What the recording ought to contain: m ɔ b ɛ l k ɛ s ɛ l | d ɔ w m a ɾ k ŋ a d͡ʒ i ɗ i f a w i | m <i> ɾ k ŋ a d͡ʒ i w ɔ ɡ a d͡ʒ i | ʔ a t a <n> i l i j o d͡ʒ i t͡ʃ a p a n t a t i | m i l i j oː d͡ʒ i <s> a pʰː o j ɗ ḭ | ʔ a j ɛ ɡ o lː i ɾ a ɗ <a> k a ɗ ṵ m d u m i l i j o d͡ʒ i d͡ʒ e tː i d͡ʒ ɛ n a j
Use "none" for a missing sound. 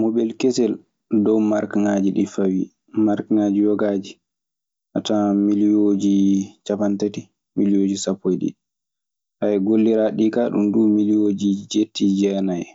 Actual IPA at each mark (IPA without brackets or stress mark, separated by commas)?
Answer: a, m, s, i